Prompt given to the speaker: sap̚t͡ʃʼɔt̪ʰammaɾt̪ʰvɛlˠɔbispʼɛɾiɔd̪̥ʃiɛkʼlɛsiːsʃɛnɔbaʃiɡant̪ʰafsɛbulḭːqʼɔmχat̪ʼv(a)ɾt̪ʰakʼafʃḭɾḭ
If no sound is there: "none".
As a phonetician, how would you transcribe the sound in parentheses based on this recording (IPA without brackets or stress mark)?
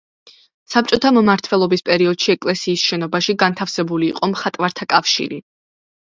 a